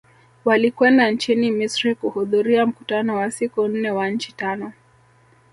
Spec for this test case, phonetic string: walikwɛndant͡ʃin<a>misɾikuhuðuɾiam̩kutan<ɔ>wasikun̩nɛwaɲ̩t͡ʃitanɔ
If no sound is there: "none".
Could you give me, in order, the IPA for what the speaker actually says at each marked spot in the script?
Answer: i, ɔ

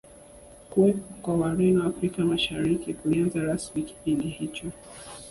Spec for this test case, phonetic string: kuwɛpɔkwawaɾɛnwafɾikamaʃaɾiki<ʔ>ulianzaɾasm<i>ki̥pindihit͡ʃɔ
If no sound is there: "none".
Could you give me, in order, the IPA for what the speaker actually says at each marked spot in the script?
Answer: k, i

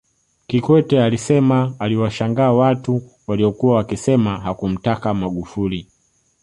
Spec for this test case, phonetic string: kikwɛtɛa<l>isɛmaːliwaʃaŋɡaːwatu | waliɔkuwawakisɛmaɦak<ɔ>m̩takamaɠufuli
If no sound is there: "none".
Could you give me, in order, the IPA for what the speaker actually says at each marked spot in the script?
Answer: l, u

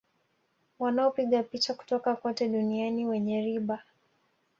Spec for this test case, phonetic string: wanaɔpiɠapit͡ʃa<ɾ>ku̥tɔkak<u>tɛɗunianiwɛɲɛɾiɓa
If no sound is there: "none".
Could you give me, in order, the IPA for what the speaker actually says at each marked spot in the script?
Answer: none, ɔ

